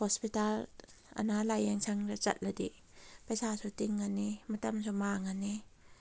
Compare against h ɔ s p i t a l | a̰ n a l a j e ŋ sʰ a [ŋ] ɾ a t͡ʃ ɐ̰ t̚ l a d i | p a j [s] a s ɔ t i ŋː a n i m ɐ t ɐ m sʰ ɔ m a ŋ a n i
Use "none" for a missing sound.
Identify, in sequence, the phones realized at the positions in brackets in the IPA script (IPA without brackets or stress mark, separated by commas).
ŋ, s